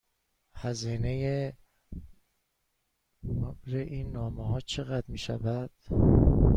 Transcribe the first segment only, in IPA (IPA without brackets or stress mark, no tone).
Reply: h